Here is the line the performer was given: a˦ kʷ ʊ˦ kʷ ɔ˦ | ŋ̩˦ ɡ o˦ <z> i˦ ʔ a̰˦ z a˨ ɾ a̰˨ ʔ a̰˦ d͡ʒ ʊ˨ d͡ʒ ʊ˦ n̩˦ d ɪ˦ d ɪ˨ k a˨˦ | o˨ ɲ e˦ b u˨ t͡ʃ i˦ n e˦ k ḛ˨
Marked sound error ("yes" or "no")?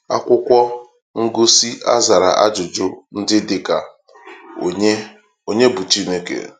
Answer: yes